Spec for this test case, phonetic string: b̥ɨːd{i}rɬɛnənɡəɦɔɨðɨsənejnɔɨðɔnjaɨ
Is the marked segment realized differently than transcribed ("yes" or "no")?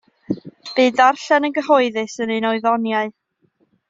yes